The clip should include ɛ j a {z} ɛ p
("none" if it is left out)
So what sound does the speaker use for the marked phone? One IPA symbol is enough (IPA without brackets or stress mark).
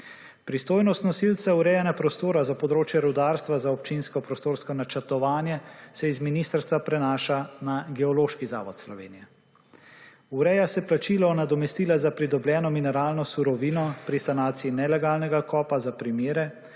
s